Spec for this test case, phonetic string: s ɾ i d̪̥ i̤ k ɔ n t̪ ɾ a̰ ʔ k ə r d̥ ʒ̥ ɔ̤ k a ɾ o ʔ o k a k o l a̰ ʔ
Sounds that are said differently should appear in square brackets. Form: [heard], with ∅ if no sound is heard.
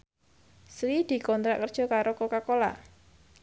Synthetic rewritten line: s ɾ i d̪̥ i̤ k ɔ n t̪ ɾ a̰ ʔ k ə r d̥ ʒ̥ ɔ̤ k a ɾ o [k] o k a k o l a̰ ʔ